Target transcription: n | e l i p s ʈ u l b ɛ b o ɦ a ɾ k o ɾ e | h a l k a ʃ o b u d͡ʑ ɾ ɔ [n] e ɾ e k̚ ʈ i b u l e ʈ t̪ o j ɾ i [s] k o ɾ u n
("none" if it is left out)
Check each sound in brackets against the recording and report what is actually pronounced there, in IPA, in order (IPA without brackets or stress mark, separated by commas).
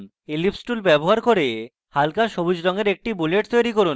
ŋ, none